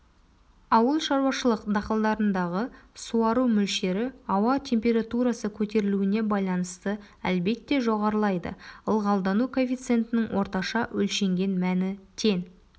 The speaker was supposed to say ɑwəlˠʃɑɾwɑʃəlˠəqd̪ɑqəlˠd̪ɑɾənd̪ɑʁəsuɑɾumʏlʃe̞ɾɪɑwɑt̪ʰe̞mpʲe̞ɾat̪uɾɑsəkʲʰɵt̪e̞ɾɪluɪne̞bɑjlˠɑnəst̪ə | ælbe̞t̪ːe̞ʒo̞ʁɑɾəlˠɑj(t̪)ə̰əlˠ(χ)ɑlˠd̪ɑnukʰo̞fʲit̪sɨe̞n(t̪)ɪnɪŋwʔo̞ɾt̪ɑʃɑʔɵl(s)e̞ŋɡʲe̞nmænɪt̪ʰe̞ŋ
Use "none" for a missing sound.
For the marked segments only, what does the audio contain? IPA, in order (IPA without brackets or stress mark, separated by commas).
d̪, ʁ, t̪, ʃ